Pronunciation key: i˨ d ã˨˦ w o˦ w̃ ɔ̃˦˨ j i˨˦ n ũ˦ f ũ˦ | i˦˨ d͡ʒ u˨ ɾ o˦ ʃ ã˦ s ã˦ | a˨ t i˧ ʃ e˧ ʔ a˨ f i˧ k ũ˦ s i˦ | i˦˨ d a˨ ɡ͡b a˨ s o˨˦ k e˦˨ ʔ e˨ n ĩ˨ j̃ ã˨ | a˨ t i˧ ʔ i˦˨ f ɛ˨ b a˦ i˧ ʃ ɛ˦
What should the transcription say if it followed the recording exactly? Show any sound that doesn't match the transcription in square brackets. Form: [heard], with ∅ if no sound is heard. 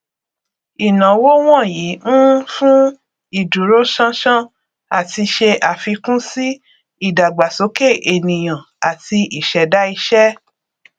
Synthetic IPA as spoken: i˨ [n] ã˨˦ w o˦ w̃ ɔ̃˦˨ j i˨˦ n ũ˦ f ũ˦ | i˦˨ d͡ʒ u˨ ɾ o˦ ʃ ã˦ [ʃ] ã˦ | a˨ t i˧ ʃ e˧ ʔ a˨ f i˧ k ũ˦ s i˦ | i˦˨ d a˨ ɡ͡b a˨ s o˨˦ k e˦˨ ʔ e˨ n ĩ˨ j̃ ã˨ | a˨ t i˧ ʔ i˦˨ [ʃ] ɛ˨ [d] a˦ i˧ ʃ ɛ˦